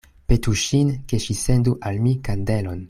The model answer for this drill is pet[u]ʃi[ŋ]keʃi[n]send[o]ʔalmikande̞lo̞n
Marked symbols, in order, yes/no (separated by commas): yes, no, no, no